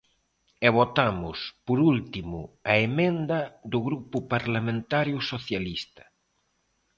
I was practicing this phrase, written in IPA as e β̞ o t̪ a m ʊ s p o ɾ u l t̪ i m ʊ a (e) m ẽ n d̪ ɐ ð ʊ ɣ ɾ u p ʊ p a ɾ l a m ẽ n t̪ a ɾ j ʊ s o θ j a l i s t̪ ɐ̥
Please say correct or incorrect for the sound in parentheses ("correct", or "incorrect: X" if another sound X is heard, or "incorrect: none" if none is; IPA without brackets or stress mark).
correct